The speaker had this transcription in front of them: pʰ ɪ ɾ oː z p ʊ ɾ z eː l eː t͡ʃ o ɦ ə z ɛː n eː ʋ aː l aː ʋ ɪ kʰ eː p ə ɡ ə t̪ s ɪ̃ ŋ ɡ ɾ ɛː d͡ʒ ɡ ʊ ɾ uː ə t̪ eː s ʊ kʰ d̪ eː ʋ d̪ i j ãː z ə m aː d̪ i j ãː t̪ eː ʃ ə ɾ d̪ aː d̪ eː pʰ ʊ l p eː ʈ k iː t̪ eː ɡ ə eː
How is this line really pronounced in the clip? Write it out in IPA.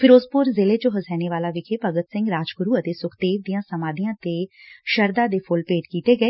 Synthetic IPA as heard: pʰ ɪ ɾ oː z p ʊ ɾ z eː l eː t͡ʃ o ɦ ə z ɛː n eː ʋ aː l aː ʋ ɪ kʰ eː p ə ɡ ə t̪ s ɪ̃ ŋ ɡ ɾ aː d͡ʒ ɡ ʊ ɾ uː ə t̪ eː s ʊ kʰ d̪ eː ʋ d̪ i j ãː s ə m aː d̪ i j ãː t̪ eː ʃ ə ɾ d̪ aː d̪ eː pʰ ʊ l p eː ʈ k iː t̪ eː ɡ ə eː